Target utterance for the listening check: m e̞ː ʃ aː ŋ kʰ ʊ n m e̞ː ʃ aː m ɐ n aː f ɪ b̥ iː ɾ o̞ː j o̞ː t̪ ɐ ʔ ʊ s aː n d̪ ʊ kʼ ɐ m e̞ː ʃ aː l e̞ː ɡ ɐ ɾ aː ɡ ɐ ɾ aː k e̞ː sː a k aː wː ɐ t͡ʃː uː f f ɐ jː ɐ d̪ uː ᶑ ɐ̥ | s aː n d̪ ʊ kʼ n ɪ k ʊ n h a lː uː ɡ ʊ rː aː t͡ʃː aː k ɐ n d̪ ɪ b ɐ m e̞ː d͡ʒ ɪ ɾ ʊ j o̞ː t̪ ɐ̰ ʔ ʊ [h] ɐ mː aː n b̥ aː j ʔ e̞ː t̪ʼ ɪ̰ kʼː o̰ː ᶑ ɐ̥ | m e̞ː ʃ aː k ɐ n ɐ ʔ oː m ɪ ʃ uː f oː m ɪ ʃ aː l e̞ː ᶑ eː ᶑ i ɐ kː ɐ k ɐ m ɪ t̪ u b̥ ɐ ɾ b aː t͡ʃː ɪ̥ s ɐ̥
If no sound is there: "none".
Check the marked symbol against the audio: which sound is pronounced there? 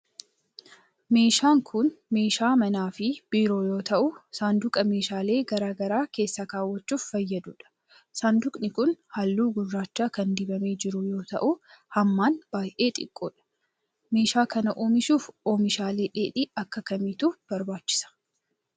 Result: h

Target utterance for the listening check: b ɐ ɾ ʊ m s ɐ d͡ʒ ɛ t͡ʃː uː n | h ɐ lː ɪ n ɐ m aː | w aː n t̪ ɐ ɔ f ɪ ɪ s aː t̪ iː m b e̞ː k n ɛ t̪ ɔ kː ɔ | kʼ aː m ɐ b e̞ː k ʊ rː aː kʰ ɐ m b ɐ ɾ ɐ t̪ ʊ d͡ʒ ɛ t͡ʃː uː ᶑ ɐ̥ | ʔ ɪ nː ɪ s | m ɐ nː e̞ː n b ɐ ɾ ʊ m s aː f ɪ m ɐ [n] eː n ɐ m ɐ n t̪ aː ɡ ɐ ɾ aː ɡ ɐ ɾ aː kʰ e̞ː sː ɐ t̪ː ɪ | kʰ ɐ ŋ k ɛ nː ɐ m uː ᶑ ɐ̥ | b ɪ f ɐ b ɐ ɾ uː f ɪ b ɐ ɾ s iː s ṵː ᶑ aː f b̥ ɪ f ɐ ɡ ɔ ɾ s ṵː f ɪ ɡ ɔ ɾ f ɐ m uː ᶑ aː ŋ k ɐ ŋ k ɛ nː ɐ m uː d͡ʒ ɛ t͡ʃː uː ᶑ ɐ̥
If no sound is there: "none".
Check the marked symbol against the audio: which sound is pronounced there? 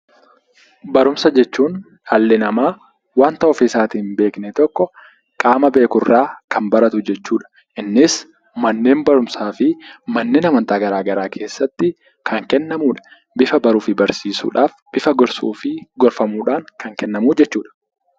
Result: nː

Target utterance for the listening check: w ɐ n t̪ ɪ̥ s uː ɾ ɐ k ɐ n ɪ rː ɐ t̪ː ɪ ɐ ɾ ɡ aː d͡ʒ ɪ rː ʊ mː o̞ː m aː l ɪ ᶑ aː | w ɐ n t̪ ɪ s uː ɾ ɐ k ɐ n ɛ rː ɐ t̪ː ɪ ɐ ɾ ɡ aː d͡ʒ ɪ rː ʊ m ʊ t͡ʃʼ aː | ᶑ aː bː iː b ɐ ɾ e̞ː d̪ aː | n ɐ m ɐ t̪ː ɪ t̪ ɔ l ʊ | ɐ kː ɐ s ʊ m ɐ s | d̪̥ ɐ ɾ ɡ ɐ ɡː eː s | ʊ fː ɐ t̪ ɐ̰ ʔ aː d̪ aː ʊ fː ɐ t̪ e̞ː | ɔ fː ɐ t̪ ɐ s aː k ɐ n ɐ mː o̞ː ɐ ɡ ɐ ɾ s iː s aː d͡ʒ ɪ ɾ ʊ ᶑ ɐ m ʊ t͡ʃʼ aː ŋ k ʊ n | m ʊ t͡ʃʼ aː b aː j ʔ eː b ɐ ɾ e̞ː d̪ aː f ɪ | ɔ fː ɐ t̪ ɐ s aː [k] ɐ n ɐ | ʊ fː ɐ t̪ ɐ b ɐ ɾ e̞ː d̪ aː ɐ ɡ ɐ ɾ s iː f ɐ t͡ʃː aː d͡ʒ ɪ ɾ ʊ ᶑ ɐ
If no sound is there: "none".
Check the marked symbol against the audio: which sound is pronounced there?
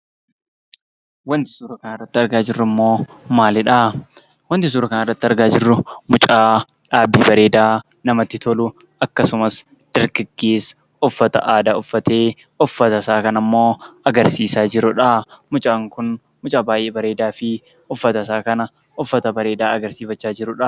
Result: k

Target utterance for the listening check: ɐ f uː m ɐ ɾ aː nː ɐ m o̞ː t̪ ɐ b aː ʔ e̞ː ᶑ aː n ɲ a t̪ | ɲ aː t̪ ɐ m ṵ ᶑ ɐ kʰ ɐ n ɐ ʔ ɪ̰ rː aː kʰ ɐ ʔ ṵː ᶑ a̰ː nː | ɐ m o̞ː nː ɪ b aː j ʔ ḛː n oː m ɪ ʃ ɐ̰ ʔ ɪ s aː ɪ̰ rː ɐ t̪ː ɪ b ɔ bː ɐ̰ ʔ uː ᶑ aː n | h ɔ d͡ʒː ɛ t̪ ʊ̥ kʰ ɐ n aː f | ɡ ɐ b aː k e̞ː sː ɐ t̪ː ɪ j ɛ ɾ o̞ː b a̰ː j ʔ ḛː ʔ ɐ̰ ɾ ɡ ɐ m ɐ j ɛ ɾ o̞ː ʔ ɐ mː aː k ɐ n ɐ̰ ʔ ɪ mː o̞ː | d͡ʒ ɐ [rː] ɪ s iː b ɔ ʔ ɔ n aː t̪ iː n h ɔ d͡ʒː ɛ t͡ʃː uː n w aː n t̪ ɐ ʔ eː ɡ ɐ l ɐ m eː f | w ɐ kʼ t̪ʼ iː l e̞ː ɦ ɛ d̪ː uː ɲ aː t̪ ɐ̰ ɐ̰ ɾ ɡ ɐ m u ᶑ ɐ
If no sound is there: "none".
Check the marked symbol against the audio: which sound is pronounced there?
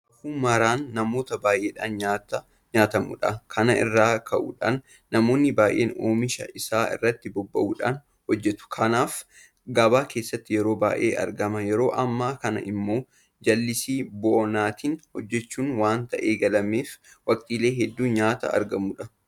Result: lː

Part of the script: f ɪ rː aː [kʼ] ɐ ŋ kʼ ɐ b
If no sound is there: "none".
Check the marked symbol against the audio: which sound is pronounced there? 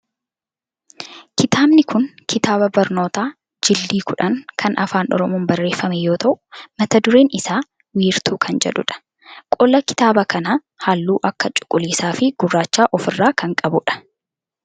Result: k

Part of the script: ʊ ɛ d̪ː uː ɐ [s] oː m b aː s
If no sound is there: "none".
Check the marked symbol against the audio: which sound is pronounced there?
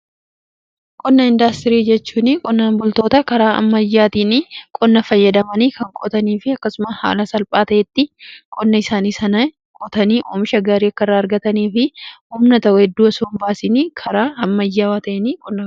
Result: s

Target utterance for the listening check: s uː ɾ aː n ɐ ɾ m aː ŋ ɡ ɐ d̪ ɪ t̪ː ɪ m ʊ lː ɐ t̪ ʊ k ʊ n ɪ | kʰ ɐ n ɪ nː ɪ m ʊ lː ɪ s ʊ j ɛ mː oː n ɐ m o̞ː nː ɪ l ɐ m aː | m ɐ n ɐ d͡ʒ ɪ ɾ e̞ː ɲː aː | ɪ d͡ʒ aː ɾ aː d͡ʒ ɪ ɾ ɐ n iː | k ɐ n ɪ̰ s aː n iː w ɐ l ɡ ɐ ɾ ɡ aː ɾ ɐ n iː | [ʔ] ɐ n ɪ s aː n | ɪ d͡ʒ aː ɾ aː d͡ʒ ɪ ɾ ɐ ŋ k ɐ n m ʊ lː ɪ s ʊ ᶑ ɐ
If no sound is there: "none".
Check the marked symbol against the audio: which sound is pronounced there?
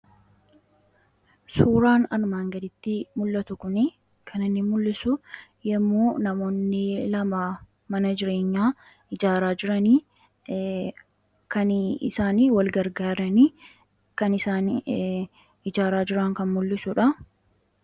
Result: k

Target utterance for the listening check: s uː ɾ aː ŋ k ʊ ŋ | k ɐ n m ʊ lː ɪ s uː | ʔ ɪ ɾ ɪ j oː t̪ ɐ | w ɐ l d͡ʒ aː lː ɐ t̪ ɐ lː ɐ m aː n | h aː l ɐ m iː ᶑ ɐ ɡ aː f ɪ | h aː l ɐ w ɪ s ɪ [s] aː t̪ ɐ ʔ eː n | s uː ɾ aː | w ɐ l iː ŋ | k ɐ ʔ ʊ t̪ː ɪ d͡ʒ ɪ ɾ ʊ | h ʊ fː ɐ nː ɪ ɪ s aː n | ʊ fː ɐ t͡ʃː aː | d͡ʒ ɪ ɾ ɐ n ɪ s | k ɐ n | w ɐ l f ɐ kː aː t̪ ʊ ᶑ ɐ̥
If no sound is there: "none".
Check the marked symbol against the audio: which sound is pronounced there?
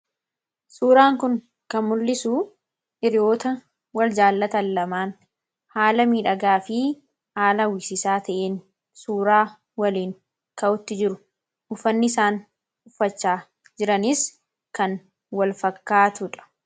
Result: s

